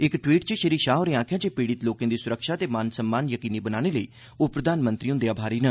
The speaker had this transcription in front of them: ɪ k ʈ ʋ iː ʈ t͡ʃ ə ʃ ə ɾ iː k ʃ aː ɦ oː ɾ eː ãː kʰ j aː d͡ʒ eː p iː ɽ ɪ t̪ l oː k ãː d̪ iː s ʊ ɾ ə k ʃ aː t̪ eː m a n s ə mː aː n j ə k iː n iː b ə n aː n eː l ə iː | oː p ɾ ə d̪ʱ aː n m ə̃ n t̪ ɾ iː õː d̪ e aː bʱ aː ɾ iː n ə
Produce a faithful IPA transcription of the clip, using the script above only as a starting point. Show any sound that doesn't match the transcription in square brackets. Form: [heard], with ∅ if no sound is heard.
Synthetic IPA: ɪ k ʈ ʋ iː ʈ t͡ʃ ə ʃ ə ɾ iː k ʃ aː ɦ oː ɾ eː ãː kʰ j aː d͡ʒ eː p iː ɽ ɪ t̪ l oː k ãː d̪ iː s ʊ ɾ ə k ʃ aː t̪ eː m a n s ə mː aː n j ə k iː n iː b ə n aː n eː l ə iː | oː p ɾ ə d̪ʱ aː n m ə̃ n t̪ ɾ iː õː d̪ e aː bʱ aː ɾ iː n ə